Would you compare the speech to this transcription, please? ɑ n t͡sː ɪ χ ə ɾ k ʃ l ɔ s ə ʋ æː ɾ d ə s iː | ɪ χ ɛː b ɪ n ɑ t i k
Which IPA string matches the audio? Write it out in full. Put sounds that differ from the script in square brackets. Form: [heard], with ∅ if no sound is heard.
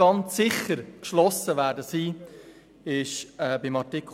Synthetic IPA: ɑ n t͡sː ɪ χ ə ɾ k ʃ l ɔ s ə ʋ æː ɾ d ə s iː | ɪ [ʃ] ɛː b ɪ [m] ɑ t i k